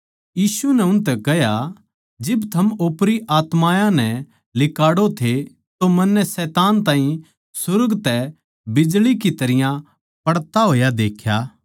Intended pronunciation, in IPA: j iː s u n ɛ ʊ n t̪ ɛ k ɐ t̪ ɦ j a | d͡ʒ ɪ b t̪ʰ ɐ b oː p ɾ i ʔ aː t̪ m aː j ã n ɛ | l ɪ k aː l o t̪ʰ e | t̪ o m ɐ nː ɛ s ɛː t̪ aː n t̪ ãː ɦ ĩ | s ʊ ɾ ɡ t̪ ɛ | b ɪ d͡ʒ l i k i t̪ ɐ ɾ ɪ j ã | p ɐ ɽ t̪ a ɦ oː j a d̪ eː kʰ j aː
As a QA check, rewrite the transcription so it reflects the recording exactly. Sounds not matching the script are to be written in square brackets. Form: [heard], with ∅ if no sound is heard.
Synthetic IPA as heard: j iː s u n ɛ ʊ n t̪ ɛ k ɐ [∅] ɦ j a | d͡ʒ ɪ b t̪ʰ ɐ [m] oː p ɾ i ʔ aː t̪ m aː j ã n ɛ | l ɪ k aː [ɽ] o t̪ʰ e | t̪ o m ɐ nː ɛ s ɛː t̪ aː n t̪ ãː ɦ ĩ | s ʊ ɾ ɡ t̪ ɛ | b ɪ d͡ʒ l i k i t̪ ɐ ɾ ɪ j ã | p ɐ ɽ t̪ a ɦ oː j a d̪ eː kʰ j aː